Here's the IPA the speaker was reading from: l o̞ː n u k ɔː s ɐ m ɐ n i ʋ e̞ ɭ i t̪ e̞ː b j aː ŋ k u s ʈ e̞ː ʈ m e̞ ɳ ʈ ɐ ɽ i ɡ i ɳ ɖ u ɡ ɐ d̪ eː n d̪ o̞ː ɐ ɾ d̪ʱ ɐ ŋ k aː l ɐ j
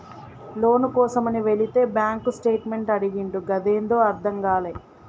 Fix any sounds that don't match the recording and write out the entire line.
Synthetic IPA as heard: l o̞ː n u k ɔː s ɐ m ɐ n i ʋ e̞ ɭ i t̪ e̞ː b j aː ŋ k u s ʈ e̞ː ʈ m e̞ ɳ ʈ ɐ ɽ i ɡ i ɳ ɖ u ɡ ɐ d̪ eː n d̪ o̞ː ɐ ɾ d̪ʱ ɐ ŋ ɡ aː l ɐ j